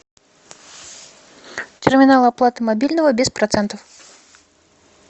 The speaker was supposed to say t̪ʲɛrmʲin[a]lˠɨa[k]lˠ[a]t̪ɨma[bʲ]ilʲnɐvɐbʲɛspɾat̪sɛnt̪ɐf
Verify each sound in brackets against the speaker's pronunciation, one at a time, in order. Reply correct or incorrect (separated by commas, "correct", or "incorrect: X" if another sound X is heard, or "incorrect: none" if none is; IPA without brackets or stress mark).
correct, incorrect: p, correct, correct